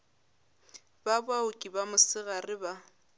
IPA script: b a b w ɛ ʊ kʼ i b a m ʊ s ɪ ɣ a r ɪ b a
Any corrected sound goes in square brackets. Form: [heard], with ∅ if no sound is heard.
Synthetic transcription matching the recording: b a b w [a] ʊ kʼ i b a m ʊ s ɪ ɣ a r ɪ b a